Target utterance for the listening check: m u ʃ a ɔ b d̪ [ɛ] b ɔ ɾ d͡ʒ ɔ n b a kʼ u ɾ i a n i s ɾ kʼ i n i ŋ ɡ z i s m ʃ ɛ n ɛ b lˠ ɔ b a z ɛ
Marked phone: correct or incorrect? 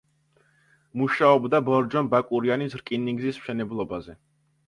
incorrect: a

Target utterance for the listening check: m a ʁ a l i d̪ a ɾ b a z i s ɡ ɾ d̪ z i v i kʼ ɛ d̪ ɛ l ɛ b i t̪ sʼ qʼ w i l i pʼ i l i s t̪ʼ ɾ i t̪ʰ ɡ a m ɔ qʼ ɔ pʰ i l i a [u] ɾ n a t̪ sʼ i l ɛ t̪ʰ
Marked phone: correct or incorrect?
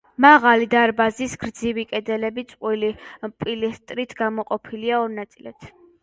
incorrect: ɔ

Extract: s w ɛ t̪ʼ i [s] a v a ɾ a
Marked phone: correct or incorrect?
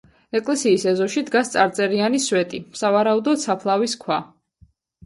correct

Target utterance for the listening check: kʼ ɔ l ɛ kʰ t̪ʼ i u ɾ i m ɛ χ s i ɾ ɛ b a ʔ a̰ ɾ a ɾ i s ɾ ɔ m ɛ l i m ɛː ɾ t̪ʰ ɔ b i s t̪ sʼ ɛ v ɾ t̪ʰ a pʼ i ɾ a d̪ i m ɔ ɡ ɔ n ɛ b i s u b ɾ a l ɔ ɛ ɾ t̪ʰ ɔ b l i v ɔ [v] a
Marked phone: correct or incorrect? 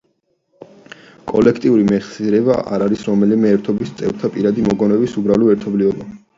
incorrect: b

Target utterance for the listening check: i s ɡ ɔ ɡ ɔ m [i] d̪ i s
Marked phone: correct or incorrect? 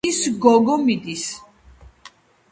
correct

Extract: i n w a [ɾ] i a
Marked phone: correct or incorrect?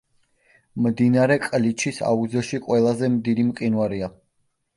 correct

